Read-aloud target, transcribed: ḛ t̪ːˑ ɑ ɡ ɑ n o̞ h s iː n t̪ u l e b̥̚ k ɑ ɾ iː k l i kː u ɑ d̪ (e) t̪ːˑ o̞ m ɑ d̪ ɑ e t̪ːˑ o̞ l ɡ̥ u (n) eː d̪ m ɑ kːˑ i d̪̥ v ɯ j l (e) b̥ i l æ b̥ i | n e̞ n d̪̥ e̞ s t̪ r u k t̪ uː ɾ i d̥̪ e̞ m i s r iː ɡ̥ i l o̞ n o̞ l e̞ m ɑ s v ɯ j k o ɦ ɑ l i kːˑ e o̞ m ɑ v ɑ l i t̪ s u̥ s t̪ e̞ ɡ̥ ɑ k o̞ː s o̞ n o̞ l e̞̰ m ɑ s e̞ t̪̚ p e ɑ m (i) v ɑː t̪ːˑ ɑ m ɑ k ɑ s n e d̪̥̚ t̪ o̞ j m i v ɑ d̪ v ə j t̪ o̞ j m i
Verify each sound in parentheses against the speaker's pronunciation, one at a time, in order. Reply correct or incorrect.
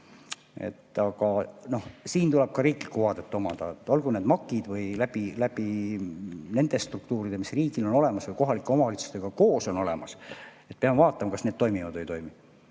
correct, correct, incorrect, incorrect

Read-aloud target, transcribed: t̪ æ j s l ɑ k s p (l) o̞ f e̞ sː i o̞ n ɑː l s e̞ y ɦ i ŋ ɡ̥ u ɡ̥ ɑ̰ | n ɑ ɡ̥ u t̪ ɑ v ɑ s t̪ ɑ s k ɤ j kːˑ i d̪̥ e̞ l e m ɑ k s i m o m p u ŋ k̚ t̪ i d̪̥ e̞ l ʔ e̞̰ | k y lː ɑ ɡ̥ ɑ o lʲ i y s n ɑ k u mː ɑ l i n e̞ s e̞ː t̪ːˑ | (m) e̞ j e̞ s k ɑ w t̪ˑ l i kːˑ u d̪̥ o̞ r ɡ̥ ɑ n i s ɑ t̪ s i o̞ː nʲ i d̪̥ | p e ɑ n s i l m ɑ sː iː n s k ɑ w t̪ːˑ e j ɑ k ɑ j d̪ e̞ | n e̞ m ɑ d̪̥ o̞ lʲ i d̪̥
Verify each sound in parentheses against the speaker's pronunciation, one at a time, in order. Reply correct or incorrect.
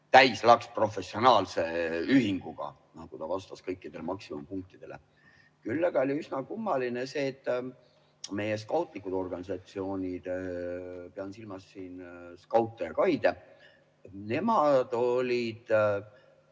incorrect, correct

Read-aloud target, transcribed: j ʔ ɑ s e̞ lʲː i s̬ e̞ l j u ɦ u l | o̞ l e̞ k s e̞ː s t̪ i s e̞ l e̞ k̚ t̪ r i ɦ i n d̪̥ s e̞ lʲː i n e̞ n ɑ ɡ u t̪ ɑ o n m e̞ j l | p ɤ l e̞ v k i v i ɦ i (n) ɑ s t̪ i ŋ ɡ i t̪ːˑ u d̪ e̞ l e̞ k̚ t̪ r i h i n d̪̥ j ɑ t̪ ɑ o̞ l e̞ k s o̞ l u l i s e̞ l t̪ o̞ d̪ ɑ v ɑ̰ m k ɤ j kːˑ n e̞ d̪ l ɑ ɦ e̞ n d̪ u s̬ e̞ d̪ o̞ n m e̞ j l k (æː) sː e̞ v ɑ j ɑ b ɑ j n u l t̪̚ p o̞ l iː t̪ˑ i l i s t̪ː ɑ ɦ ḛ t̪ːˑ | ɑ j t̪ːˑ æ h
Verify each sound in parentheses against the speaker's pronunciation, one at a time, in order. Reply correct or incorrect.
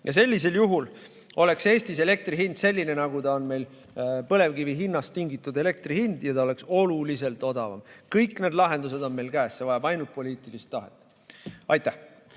incorrect, correct

